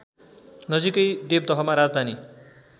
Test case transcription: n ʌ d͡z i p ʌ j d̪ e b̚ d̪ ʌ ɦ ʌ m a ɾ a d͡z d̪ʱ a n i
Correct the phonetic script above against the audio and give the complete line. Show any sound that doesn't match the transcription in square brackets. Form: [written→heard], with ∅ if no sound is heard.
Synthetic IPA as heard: n ʌ d͡z i [p→k] ʌ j d̪ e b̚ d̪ ʌ ɦ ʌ m a ɾ a d͡z d̪ʱ a n i